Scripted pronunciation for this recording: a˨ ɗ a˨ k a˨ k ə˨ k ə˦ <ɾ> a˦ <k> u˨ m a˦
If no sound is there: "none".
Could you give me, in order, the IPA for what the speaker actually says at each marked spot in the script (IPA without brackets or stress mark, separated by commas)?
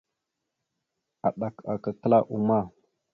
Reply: l, ʔ